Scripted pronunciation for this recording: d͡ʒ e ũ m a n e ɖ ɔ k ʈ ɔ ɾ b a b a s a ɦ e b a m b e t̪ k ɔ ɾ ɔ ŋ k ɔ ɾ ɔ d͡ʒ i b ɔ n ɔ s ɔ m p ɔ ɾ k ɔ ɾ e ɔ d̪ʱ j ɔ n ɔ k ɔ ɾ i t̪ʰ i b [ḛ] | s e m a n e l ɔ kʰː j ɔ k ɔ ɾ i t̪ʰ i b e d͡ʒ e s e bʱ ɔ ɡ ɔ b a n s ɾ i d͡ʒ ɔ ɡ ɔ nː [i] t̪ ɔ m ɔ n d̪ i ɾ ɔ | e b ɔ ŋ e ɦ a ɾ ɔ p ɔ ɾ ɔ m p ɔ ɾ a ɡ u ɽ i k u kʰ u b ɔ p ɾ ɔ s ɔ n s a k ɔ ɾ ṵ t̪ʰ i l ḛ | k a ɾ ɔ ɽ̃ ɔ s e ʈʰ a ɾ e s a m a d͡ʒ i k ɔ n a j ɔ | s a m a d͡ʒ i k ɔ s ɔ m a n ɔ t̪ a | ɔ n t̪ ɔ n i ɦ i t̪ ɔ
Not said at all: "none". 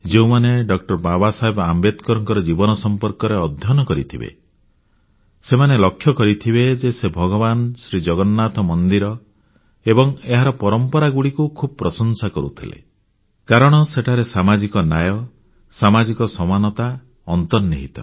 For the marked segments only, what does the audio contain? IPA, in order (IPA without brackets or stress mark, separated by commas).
ḛ, a